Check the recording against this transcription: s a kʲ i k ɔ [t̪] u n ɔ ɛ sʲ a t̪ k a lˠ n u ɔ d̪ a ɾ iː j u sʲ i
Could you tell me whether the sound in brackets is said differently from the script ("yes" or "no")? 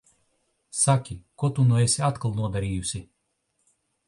no